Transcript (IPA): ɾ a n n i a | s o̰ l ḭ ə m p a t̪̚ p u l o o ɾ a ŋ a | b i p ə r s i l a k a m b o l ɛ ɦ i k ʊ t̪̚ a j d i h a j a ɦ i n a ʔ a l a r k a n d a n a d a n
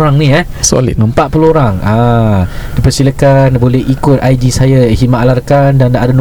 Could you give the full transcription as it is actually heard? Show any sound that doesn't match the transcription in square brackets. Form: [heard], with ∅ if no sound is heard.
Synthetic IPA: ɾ a [ŋ] n i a | s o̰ l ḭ ə m p a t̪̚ p u l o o ɾ a ŋ a | [d] i p ə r s i l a k a [n] b o l ɛ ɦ i k ʊ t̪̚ a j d i [s] a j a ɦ i [m] a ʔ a l a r k a n d a n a d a n